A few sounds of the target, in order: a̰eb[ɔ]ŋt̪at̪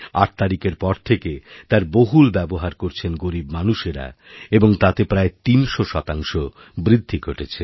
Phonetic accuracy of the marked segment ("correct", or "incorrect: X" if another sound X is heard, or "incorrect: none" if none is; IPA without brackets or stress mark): incorrect: o